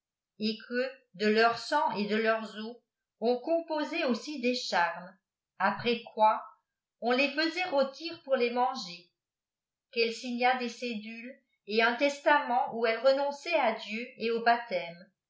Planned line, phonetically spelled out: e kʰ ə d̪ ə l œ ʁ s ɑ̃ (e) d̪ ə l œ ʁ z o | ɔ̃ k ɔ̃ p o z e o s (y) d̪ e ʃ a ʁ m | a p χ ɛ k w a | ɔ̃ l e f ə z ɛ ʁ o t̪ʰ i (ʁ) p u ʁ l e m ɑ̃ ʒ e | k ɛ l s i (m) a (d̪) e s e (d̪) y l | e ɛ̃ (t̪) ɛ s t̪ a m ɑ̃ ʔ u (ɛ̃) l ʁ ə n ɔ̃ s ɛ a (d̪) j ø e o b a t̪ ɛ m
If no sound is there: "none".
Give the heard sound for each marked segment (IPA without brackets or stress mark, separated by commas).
e, i, ʁ, ɲ, d̪, d̪, t̪, ɛ, d̪